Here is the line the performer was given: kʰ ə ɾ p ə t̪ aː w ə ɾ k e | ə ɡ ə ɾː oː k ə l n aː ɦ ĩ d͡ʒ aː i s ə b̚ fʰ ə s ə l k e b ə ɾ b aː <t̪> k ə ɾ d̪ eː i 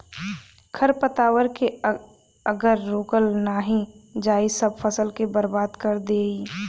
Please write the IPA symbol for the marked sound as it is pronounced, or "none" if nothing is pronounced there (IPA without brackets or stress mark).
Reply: d̪